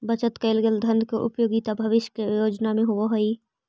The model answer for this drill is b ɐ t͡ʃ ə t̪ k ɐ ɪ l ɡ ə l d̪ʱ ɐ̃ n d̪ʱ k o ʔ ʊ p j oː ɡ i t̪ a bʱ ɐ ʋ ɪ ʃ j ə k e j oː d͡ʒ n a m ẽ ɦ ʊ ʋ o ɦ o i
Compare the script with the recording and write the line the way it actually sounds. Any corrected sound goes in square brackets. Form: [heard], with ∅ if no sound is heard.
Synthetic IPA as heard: b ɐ t͡ʃ ə t̪ k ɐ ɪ l ɡ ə l d̪ʱ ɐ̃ n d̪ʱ k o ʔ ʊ p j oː ɡ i t̪ a bʱ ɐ ʋ ɪ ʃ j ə k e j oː d͡ʒ n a m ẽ ɦ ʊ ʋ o ɦ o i